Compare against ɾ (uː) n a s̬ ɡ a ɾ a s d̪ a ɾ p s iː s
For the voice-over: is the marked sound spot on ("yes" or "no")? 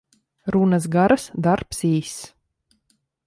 no